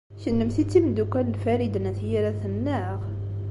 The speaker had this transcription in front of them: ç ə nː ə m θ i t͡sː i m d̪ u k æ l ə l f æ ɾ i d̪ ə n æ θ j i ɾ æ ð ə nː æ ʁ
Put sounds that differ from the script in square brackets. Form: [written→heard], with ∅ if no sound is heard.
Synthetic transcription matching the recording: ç ə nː ə m θ i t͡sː i m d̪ u k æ l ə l f æ ɾ i d̪ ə n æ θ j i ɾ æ [ð→θ] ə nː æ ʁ